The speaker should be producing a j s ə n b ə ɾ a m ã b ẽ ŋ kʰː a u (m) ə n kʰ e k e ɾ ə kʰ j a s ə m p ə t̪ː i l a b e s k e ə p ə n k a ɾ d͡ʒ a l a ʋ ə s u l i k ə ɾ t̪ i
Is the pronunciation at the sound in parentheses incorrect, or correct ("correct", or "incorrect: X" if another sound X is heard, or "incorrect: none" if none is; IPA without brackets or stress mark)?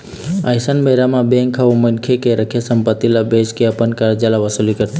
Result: correct